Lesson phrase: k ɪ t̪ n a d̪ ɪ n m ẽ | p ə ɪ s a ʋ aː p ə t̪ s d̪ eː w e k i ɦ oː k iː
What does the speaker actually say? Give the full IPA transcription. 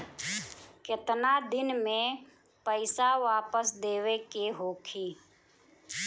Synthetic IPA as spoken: k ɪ t̪ n a d̪ ɪ n m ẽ | p ə ɪ s a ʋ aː p ə s d̪ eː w e k e ɦ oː kʰ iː